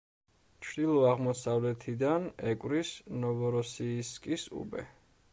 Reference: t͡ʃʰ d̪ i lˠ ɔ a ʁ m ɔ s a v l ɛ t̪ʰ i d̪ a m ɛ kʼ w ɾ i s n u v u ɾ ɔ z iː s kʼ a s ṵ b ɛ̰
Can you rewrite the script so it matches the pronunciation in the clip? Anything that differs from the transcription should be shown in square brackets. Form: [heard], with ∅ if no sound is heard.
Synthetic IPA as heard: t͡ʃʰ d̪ i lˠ ɔ a ʁ m ɔ s a v l ɛ t̪ʰ i d̪ a [n] ɛ kʼ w ɾ i s n [ɔ] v [ɔ] ɾ ɔ [s] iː s kʼ [i] s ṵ b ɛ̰